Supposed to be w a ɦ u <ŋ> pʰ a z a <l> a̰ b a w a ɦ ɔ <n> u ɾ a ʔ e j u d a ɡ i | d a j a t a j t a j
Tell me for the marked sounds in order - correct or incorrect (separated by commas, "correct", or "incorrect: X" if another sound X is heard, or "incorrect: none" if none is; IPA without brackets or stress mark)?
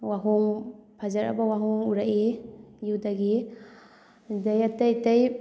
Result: correct, incorrect: ɾ, incorrect: ŋ